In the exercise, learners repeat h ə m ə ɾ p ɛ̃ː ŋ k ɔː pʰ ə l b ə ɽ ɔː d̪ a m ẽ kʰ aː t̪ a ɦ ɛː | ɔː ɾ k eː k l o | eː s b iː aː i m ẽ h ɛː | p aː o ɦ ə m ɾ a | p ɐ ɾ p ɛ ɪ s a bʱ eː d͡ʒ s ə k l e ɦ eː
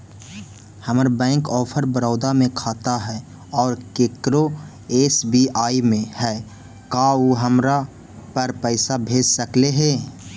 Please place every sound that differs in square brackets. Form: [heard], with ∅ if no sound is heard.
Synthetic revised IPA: h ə m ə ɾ [b] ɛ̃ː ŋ k ɔː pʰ ə [ɾ] b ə [ɾ] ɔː d̪ a m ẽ kʰ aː t̪ a ɦ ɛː | ɔː ɾ k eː k [ɾ] o | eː s b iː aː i m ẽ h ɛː | [k] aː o ɦ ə m ɾ a | p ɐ ɾ p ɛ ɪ s a bʱ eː d͡ʒ s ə k l e ɦ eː